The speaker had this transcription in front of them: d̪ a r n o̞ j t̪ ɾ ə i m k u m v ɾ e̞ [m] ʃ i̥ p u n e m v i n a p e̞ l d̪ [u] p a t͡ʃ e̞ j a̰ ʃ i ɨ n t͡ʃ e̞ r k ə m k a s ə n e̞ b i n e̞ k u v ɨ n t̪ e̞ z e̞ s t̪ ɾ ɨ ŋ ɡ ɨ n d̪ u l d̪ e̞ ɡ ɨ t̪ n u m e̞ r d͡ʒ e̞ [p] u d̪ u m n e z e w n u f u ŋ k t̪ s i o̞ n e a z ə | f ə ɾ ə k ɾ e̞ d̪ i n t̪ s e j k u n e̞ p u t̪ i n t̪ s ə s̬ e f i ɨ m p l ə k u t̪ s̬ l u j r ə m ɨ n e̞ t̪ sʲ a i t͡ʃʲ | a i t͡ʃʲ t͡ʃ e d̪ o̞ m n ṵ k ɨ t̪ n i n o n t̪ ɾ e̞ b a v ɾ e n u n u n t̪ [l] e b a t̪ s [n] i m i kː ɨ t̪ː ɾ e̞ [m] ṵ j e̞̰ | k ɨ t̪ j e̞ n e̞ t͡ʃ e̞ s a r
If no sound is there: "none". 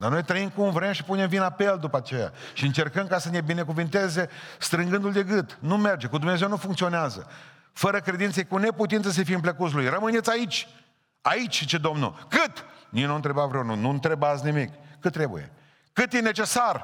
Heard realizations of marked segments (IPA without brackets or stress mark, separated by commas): m, u, k, ɾ, n, b